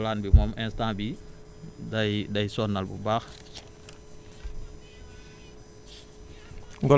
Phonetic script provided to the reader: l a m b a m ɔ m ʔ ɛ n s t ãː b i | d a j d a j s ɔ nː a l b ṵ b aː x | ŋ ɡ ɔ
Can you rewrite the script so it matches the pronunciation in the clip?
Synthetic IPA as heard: l a n b i m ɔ m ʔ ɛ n s t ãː b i | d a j d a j s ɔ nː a l b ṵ b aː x | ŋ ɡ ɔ